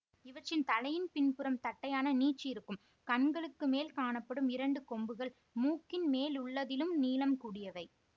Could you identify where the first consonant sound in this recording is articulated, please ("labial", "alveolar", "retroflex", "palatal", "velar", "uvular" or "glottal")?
labial